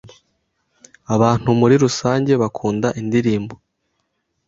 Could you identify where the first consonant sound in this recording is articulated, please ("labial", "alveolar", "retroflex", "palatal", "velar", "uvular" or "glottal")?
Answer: labial